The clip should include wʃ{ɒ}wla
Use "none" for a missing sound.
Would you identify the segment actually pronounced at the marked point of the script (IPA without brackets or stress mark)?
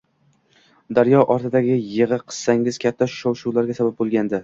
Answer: u